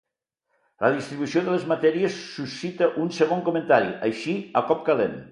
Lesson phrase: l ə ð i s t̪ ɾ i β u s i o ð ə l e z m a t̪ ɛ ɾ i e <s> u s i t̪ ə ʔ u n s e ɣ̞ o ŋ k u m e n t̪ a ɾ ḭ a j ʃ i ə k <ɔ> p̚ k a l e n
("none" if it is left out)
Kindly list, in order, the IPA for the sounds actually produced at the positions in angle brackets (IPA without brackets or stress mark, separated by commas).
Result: sː, ɔ